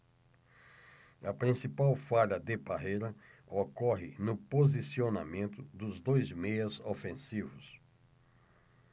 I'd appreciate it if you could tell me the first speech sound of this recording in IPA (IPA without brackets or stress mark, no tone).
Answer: ɐ